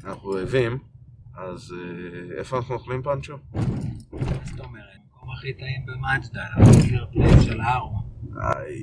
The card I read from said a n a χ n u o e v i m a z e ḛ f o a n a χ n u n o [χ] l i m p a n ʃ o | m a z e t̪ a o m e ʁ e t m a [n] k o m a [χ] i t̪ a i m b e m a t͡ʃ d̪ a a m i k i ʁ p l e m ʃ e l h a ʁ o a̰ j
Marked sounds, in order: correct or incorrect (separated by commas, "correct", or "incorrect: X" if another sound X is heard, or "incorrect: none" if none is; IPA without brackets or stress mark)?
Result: correct, incorrect: none, correct